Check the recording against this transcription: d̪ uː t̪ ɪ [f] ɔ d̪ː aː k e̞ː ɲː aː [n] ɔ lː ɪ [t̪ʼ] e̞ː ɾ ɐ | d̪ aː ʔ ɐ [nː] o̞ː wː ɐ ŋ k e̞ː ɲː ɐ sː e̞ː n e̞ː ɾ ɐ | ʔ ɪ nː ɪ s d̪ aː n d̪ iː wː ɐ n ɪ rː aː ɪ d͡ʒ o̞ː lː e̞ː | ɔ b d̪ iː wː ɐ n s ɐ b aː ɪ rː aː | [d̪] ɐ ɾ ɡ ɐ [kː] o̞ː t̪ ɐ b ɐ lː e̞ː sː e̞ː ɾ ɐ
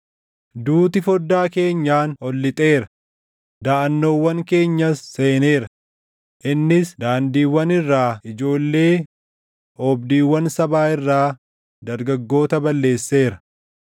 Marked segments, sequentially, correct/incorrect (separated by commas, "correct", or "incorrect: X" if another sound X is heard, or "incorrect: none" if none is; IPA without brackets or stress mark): correct, correct, correct, correct, correct, incorrect: ɡː